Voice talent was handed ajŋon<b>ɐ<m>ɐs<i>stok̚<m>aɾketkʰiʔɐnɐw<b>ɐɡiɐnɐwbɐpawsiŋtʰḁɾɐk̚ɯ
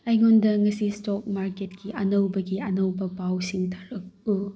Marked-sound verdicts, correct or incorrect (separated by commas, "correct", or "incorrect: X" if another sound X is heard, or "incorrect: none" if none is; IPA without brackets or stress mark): incorrect: d, incorrect: ŋ, correct, correct, correct